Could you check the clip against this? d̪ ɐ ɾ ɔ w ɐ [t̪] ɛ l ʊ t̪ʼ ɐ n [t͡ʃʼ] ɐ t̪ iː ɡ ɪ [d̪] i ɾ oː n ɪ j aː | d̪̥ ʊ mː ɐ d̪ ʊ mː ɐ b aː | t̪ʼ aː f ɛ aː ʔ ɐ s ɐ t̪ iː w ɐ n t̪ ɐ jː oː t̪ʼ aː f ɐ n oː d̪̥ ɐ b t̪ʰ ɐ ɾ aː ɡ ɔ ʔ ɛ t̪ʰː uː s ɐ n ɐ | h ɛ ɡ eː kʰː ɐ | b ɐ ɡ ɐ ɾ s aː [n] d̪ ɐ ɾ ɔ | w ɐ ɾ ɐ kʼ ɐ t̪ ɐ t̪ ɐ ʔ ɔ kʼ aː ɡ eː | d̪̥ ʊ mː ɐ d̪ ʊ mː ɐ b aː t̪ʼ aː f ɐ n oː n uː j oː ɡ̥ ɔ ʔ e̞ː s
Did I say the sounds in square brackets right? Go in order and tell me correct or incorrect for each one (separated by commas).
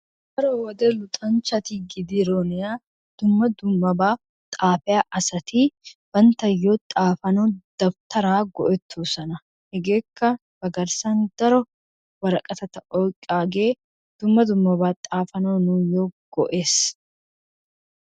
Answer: incorrect, incorrect, correct, correct